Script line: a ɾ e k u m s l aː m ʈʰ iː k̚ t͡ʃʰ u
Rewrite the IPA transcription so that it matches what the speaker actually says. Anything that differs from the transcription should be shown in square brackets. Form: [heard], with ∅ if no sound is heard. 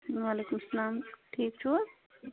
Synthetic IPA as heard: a [l] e k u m s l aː m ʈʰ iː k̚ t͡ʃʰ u